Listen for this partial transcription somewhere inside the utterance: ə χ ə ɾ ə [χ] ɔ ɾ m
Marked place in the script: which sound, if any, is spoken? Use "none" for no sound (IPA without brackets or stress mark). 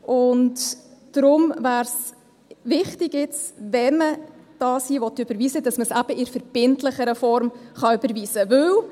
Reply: f